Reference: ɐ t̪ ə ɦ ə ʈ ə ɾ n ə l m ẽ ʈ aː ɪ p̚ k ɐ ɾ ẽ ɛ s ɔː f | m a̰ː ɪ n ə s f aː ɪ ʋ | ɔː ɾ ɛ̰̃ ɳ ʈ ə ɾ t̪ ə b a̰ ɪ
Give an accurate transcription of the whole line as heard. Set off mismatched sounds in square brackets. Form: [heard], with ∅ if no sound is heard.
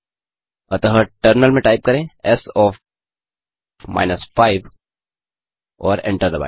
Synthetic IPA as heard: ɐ t̪ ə ɦ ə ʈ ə ɾ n ə l m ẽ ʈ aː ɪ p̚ k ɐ ɾ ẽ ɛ s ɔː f | m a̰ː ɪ n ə s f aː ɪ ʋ | ɔː ɾ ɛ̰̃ ɳ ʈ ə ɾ [d̪] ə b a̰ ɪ